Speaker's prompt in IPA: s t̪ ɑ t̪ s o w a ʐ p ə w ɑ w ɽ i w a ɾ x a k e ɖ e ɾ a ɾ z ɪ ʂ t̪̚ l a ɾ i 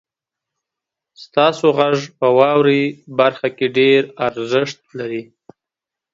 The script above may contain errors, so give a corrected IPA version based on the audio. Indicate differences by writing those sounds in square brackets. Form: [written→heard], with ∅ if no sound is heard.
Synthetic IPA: s t̪ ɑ [t̪→∅] s o [w→ɣ] a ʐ p ə w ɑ w [ɽ→ɾ] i [w→b] a ɾ x a k e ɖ e ɾ a ɾ z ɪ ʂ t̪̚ l a ɾ i